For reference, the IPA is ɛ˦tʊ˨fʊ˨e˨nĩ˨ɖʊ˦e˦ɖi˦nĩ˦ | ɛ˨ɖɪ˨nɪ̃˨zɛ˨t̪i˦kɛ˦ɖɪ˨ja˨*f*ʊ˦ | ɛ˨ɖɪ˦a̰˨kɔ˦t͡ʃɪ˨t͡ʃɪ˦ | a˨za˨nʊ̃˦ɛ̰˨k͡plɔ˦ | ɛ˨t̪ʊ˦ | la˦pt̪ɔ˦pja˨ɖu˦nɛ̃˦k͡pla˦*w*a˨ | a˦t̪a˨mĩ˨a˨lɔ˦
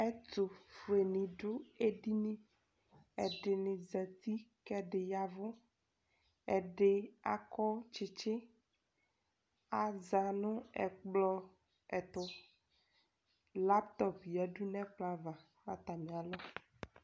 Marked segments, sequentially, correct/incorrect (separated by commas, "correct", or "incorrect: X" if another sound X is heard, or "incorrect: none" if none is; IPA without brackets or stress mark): incorrect: v, incorrect: v